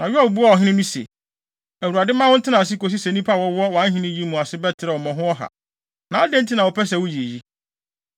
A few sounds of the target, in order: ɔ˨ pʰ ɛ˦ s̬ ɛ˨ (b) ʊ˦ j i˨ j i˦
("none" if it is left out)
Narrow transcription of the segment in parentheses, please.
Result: w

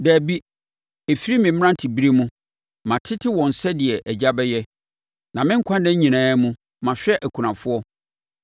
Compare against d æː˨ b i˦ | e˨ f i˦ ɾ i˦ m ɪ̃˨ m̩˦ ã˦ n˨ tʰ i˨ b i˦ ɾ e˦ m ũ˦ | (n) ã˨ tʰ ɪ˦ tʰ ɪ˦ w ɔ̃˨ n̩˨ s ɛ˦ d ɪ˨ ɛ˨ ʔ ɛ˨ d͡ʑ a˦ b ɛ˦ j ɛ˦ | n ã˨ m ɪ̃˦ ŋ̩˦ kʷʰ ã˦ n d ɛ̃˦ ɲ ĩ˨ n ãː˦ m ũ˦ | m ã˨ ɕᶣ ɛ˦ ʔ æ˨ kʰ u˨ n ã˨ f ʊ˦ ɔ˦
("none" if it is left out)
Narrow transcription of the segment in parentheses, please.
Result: m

